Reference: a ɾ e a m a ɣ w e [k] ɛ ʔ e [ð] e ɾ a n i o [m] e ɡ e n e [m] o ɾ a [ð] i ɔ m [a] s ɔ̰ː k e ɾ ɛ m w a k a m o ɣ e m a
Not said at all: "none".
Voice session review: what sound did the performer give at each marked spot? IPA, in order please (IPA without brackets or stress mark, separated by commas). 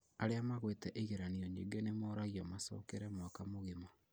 t, ɣ, ɲ, m, ɣ, a